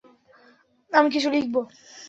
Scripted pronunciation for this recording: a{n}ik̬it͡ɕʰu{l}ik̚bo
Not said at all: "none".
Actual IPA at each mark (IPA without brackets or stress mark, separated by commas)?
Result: m, l